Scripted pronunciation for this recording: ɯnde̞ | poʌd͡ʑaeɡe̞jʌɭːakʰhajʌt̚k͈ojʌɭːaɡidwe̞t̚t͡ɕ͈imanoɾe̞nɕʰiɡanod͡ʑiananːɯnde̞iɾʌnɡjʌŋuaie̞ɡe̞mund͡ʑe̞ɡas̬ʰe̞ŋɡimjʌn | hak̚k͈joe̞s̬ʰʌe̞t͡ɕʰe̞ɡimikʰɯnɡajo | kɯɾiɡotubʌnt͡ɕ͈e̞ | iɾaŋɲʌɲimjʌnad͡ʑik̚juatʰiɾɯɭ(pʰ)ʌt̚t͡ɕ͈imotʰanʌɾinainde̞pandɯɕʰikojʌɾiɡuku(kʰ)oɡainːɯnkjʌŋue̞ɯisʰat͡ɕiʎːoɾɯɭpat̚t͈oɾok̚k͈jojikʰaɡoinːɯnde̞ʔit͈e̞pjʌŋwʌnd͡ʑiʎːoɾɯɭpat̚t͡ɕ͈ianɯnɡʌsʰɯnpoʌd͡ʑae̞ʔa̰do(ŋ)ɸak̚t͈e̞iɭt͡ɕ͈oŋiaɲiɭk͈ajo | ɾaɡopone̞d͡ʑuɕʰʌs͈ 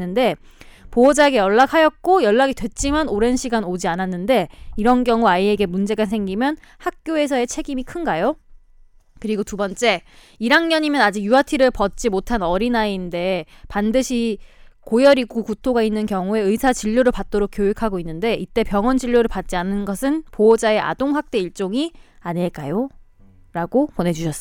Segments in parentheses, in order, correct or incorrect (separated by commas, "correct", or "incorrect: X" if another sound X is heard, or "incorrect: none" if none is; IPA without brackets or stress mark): incorrect: p, incorrect: tʰ, correct